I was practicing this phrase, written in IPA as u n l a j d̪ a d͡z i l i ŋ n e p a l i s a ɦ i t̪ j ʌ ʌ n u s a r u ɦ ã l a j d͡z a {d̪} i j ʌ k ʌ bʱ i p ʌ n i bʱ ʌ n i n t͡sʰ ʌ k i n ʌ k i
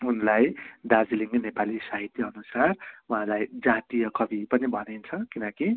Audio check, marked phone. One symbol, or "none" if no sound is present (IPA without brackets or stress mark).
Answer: t̪